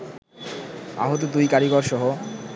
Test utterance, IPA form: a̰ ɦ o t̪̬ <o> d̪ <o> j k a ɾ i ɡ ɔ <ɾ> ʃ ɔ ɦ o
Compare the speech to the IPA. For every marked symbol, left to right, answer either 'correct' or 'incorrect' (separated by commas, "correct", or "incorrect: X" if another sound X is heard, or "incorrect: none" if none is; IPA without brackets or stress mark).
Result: correct, incorrect: u, correct